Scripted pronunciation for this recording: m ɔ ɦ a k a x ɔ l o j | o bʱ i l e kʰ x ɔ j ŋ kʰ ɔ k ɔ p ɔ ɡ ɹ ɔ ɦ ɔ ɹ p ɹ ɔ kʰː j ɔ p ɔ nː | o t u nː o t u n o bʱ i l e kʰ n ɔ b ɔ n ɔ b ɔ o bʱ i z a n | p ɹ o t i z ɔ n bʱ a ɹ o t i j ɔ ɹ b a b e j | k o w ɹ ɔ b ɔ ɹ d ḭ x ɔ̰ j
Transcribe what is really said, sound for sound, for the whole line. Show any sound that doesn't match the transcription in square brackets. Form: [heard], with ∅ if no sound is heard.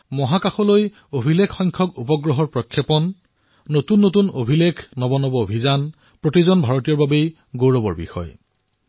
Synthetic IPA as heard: m ɔ ɦ a k a x ɔ l o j | o bʱ i l e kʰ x ɔ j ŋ kʰ ɔ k [u] p ɔ ɡ ɹ ɔ ɦ ɔ ɹ p ɹ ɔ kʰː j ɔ p ɔ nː | o t u nː o t u n o bʱ i l e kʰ n ɔ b ɔ n ɔ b ɔ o bʱ i z a n | p ɹ o t i z ɔ n bʱ a ɹ o t i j ɔ ɹ b a b e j | [ɡ] o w ɹ ɔ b ɔ ɹ [b] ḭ x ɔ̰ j